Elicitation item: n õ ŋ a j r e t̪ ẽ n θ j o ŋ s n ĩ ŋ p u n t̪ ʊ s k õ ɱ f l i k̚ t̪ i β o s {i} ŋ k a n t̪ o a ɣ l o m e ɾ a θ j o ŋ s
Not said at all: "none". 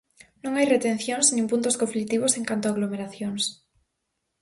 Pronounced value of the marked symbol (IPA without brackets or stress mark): e